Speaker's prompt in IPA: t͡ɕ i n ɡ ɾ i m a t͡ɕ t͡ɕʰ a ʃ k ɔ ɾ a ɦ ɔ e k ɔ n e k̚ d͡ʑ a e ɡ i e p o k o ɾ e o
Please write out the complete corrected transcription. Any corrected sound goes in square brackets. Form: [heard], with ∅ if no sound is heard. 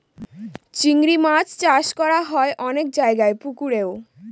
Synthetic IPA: t͡ɕ i [ŋ] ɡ ɾ i m a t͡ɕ [t͡ɕ] a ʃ k ɔ ɾ a ɦ ɔ e [ʔ] ɔ n e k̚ d͡ʑ a e ɡ [a] e p [u] k [u] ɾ e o

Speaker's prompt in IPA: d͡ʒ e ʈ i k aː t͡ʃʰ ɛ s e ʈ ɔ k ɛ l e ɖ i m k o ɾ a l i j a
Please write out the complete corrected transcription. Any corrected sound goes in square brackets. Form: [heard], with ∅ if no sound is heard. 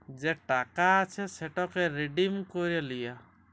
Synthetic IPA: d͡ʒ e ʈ [a] k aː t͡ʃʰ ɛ s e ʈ ɔ k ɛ [ɾ] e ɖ i m k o ɾ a l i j a

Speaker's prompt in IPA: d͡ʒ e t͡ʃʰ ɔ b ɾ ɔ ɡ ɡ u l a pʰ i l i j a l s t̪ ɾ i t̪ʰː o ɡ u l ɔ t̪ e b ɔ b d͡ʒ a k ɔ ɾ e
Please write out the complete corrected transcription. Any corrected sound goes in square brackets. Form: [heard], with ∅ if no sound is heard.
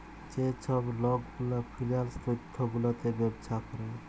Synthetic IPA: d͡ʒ e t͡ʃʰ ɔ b [l] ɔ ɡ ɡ u l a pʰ i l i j a l s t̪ ɾ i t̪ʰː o ɡ u l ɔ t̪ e b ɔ b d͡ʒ a k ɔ ɾ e

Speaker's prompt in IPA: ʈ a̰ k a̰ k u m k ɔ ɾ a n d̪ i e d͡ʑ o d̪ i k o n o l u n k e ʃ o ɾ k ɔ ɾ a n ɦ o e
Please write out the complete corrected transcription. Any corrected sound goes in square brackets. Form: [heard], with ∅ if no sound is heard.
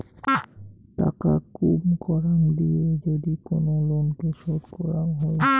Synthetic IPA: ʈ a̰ k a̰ k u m k ɔ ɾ a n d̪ i e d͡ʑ o d̪ i k o n o l [o] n k e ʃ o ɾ k ɔ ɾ a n ɦ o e

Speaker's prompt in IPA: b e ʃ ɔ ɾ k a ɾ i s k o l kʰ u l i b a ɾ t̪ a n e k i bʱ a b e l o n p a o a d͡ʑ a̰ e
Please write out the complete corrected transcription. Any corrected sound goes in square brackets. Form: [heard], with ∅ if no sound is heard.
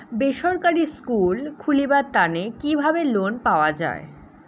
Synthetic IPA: b e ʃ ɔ ɾ k a ɾ i s k [u] l kʰ u l i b a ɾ t̪ a n e k i bʱ a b e l o n p a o a d͡ʑ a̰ e

